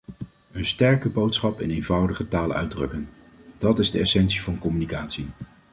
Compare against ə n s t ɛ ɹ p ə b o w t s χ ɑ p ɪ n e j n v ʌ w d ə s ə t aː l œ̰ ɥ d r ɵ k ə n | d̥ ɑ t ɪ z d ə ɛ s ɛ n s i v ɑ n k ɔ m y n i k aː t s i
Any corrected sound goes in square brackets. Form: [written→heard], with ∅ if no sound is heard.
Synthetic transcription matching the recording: ə n s t ɛ ɹ [p→k] ə b o w t s χ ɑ p ɪ n e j n v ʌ w d ə [s→χ] ə t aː l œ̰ ɥ d r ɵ k ə n | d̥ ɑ t ɪ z d ə ɛ s ɛ n s i v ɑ n k ɔ m y n i k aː t s i